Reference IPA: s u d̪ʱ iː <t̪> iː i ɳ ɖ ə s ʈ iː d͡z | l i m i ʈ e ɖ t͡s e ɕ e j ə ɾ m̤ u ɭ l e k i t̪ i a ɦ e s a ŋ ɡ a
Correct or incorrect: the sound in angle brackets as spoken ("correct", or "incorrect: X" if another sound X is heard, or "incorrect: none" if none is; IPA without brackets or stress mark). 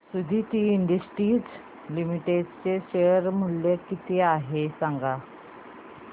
correct